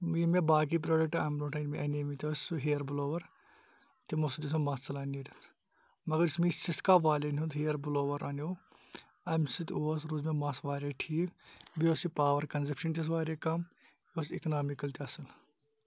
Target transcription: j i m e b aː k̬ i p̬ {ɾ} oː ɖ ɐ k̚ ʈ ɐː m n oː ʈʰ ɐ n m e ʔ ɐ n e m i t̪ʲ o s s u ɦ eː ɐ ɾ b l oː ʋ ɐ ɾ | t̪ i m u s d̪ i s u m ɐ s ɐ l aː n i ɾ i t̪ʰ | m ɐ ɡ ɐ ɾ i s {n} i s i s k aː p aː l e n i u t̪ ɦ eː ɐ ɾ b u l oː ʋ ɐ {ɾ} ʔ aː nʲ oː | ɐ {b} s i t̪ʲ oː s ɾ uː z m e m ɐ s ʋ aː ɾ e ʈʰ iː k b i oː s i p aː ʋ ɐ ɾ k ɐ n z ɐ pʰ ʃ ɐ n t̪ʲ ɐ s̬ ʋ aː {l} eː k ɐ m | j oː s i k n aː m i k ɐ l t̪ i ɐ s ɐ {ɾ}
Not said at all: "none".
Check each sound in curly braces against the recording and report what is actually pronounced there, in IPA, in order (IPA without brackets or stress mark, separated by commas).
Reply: ɾ, m, ɾ, m, ɾ, l